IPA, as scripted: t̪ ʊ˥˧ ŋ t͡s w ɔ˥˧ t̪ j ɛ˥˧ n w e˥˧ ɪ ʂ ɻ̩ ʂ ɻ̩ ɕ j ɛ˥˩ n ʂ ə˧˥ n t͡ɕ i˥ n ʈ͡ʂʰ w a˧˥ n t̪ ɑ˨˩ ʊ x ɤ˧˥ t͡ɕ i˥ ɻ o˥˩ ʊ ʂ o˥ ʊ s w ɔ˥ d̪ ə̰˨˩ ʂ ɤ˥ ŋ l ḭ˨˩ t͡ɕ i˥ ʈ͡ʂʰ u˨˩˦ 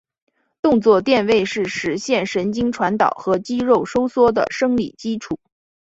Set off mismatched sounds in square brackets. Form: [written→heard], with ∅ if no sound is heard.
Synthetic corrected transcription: t̪ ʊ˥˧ ŋ t͡s w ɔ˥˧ t̪ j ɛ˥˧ n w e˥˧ ɪ ʂ ɻ̩ ʂ ɻ̩ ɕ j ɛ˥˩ n ʂ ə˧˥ n t͡ɕ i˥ [n→ŋ] ʈ͡ʂʰ w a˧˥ n t̪ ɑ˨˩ ʊ x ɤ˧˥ t͡ɕ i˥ ɻ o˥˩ ʊ ʂ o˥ ʊ s w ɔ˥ d̪ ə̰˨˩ ʂ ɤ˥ ŋ l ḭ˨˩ t͡ɕ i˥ ʈ͡ʂʰ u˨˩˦